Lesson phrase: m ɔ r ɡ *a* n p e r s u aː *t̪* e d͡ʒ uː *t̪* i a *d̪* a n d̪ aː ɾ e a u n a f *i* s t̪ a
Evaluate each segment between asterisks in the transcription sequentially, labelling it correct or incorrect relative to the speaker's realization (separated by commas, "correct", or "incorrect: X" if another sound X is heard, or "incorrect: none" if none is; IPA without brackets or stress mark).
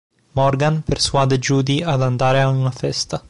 correct, incorrect: d̪, incorrect: d̪, correct, incorrect: ɛ